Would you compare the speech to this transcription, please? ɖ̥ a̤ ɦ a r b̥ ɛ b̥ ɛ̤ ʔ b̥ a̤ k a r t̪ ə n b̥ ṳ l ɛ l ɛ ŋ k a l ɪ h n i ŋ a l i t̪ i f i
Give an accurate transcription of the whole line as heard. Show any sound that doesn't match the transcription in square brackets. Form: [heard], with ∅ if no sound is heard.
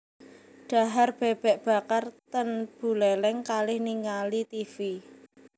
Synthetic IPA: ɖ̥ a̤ ɦ a r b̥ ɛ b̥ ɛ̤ ʔ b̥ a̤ k a r t̪ ə n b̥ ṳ l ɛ l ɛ ŋ k a l ɪ h n i ŋ a l i t̪ i f i